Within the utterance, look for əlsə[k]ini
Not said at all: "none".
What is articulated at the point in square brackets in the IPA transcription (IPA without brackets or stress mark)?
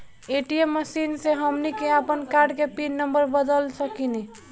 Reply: k